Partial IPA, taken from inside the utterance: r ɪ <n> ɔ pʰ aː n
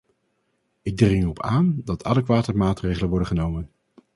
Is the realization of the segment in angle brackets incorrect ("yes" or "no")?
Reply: yes